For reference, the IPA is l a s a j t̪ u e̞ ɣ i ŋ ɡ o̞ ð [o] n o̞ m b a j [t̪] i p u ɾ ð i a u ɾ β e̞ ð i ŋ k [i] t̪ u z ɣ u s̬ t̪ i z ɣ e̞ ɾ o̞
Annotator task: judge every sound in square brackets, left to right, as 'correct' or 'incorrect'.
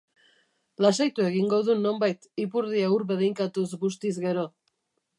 incorrect: u, correct, incorrect: a

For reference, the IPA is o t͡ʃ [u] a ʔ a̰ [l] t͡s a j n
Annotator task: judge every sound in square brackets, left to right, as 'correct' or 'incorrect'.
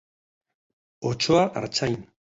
incorrect: o, incorrect: ɾ

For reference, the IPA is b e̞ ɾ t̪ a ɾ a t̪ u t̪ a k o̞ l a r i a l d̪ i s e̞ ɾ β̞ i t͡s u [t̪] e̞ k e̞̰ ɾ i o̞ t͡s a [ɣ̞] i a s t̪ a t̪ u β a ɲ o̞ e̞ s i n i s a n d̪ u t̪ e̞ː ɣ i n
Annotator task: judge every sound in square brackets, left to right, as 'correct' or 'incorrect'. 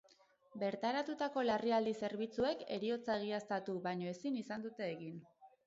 incorrect: none, correct

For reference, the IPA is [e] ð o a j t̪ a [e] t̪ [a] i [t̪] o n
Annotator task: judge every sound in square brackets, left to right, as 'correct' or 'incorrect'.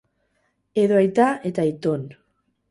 correct, correct, correct, correct

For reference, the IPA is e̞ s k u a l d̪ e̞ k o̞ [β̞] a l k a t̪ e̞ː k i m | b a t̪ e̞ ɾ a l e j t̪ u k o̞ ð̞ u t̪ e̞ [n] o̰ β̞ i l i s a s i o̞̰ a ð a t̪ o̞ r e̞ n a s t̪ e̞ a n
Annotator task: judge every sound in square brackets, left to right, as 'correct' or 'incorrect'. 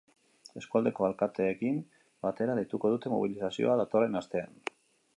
incorrect: none, incorrect: m

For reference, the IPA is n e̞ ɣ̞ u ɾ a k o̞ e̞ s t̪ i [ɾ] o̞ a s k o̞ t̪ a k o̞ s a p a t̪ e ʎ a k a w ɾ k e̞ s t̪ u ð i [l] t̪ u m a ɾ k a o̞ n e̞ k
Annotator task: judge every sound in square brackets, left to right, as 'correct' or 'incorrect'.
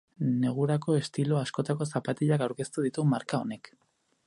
incorrect: l, incorrect: none

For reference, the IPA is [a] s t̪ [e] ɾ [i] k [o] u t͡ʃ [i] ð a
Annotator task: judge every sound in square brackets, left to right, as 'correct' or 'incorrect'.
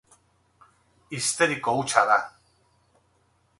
incorrect: i, correct, correct, correct, incorrect: a

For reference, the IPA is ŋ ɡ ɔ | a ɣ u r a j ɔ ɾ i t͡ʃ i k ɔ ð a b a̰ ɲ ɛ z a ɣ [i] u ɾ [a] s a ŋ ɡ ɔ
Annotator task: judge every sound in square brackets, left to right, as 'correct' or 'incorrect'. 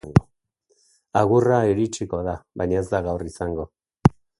incorrect: a, incorrect: i

